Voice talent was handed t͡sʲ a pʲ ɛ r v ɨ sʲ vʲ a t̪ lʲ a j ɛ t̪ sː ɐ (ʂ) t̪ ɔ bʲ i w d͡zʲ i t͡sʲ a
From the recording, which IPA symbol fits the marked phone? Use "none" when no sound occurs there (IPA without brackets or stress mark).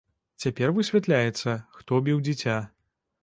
x